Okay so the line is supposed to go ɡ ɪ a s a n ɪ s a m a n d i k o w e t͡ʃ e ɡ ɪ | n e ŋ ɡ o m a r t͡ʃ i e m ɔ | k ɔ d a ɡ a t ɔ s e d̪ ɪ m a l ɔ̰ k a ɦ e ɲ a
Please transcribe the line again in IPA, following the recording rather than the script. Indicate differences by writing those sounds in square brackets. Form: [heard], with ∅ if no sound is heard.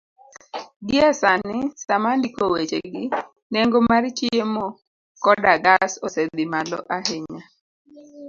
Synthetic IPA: ɡ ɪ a s a n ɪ s a m a n d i k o w e t͡ʃ e ɡ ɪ | n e ŋ ɡ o m a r t͡ʃ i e m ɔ | k ɔ d a ɡ a [s] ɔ s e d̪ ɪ m a l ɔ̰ [ʔ] a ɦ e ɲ a